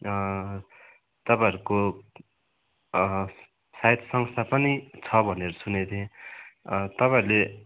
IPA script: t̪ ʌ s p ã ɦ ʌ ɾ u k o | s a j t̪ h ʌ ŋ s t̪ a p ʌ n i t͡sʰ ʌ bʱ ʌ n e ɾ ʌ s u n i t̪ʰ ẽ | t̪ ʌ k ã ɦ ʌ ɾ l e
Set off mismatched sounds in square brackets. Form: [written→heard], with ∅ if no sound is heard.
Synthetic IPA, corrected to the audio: t̪ ʌ [s→∅] p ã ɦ ʌ ɾ u k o | s a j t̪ [h→s] ʌ ŋ s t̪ a p ʌ n i t͡sʰ ʌ bʱ ʌ n e ɾ ʌ s u n [i→e] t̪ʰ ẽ | t̪ ʌ [k→p] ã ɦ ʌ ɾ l e